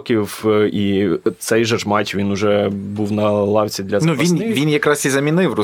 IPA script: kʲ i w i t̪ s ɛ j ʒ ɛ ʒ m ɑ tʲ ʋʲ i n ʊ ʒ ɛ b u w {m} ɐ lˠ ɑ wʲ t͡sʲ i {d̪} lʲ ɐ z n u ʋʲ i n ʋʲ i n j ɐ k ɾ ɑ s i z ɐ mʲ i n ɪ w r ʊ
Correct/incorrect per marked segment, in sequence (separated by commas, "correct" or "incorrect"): incorrect, correct